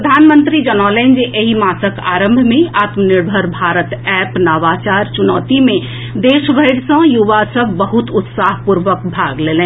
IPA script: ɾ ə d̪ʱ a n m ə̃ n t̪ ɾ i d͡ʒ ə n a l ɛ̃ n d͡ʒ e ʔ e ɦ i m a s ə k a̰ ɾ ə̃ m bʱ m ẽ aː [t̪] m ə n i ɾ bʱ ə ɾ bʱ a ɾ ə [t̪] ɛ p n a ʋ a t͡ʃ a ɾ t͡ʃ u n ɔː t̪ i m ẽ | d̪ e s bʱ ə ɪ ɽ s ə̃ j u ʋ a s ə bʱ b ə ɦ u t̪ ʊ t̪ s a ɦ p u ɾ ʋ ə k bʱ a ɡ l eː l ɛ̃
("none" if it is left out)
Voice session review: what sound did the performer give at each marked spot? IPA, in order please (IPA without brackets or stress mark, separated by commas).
t̪, t̪